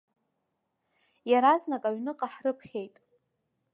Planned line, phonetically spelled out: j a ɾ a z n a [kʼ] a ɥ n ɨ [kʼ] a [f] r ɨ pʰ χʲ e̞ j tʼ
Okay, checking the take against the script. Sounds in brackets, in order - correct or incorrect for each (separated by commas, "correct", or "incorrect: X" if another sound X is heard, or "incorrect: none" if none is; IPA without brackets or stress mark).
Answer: correct, incorrect: qʼ, incorrect: ħ